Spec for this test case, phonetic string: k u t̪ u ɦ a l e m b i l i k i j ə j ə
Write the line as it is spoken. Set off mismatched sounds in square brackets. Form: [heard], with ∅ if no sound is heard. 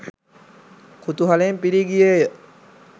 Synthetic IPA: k u t̪ u ɦ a l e m [p] i [ɾ] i [ɡ] i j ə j ə